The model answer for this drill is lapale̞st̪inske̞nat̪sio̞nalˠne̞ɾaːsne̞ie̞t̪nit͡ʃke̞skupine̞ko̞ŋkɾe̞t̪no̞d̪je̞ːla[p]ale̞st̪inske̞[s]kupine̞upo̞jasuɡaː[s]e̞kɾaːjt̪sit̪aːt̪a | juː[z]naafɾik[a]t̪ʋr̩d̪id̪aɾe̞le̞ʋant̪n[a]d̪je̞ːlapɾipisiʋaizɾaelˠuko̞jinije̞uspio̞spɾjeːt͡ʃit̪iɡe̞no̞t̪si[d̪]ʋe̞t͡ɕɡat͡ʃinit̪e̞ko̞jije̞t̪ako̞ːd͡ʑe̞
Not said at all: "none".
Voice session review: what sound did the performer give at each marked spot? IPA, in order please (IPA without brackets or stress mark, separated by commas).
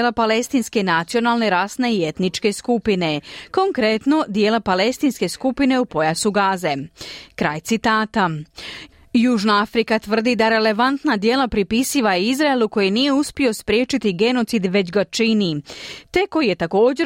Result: p, s, z, ʒ, a, a, d̪